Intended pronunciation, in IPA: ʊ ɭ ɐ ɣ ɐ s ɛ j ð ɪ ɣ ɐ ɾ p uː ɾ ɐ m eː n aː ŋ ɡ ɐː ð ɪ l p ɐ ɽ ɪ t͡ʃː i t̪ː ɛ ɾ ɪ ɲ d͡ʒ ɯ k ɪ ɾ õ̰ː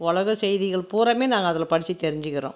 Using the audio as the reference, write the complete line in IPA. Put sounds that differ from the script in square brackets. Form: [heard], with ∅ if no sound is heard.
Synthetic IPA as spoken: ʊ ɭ ɐ ɣ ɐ s ɛ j ð ɪ ɣ ɐ [ɭ] p uː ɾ ɐ m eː n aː ŋ ɡ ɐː ð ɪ l p ɐ ɽ ɪ t͡ʃː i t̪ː ɛ ɾ ɪ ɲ d͡ʒ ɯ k ɪ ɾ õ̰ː

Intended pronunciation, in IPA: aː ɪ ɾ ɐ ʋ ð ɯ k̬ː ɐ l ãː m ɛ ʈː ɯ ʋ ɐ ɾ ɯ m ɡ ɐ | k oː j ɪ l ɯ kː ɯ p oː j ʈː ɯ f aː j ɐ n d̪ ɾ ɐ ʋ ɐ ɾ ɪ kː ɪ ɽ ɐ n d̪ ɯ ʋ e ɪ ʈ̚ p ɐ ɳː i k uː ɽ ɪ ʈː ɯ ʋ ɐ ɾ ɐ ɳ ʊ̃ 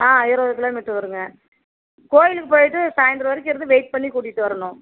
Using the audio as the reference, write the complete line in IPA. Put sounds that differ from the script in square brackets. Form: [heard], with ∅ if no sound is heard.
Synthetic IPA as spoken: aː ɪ ɾ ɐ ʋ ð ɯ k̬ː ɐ l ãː m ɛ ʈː ɯ ʋ ɐ ɾ ɯ [ŋ] ɡ ɐ | k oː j ɪ l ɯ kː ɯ p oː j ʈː ɯ [s] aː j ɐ n d̪ ɾ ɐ ʋ ɐ ɾ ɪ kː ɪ [ɾ] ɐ n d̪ ɯ ʋ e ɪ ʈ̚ p ɐ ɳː i k uː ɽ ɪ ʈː ɯ ʋ ɐ ɾ ɐ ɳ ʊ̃

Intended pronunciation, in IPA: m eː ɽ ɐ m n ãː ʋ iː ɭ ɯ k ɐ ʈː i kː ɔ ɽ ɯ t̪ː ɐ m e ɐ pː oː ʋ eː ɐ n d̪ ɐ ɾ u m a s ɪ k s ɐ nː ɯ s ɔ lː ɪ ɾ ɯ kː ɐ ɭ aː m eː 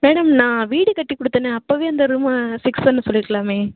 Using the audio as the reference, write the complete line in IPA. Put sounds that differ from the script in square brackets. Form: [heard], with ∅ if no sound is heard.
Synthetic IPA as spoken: m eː ɽ ɐ m n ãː ʋ iː [ɽ] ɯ k ɐ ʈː i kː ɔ ɽ ɯ t̪ː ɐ [n] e ɐ pː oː ʋ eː ɐ n d̪ ɐ ɾ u m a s ɪ k s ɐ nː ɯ s ɔ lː ɪ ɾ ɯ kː ɐ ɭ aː m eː

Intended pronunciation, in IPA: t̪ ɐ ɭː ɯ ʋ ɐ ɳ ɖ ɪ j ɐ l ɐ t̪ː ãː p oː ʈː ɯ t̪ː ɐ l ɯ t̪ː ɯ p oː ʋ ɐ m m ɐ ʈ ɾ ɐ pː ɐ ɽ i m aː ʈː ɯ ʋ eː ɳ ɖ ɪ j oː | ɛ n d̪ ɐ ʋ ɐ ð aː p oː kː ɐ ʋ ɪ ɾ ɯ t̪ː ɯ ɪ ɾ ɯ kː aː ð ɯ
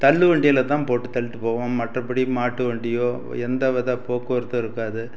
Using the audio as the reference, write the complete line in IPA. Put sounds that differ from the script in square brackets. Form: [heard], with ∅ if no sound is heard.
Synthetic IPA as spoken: t̪ ɐ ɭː ɯ ʋ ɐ ɳ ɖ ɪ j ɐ l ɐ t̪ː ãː p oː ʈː ɯ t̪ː ɐ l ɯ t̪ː ɯ p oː ʋ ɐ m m ɐ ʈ [r] ɐ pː ɐ ɽ i m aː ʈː ɯ ʋ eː ɳ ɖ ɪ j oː | ɛ n d̪ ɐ ʋ ɐ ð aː p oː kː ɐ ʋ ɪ ɾ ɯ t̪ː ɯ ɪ ɾ ɯ kː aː ð ɯ

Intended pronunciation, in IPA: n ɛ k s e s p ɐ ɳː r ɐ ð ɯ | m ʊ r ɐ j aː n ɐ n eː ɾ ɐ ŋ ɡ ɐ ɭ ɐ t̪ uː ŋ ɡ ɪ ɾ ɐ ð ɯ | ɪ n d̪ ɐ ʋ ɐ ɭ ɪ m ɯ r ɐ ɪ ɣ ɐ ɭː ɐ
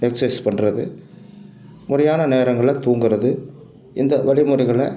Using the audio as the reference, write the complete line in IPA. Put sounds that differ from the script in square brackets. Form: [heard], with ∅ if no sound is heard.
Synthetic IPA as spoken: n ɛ k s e s p ɐ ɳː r ɐ ð ɯ | m ʊ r ɐ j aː n ɐ n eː ɾ ɐ ŋ ɡ ɐ ɭ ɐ t̪ uː ŋ ɡ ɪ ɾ ɐ ð ɯ | ɪ n d̪ ɐ ʋ ɐ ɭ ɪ m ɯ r ɐ ɪ ɣ ɐ [ɭ] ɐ

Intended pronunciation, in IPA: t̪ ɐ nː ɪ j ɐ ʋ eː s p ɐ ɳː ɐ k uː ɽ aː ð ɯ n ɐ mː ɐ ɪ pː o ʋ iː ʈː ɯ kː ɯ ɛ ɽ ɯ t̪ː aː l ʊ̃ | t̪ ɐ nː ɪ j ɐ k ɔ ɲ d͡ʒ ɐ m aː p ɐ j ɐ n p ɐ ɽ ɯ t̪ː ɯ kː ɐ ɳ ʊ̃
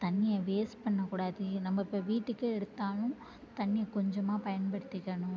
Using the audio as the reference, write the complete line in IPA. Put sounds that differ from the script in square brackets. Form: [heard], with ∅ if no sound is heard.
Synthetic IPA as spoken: t̪ ɐ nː ɪ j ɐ ʋ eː s p ɐ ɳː ɐ k uː ɽ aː ð ɯ n ɐ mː ɐ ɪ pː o ʋ iː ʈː ɯ kː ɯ ɛ ɽ ɯ t̪ː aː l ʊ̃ | t̪ ɐ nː ɪ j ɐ k ɔ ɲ d͡ʒ ɐ m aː p ɐ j ɐ n p ɐ ɽ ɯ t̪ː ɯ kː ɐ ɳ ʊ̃

